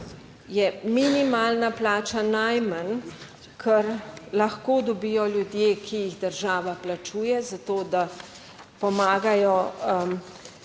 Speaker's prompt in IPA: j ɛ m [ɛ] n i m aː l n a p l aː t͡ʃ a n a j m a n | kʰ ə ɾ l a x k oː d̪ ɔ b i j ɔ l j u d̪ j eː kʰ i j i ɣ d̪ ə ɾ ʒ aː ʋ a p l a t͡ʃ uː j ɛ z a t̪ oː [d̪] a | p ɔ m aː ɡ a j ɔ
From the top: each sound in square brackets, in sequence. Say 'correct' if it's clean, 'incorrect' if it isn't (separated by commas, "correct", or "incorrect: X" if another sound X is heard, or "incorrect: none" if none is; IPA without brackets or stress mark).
incorrect: i, correct